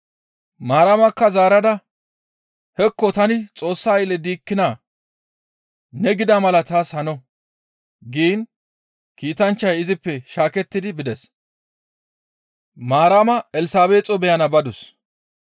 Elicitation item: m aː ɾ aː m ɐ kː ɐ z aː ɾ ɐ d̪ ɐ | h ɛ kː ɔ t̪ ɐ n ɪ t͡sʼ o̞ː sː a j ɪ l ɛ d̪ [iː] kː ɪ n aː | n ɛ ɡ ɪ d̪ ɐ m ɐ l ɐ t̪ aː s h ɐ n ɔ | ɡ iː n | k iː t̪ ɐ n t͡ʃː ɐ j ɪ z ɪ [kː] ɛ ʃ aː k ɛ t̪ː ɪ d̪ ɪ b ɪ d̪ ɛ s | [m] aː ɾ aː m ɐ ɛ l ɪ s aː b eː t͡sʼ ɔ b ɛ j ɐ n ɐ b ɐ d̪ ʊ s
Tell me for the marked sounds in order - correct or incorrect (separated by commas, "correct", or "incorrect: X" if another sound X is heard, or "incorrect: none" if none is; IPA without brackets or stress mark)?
correct, incorrect: pː, correct